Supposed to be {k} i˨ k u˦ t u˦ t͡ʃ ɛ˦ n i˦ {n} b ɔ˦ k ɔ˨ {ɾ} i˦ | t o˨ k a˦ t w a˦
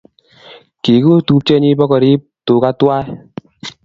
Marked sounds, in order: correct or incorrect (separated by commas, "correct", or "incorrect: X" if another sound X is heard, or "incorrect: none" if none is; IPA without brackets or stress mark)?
correct, incorrect: none, correct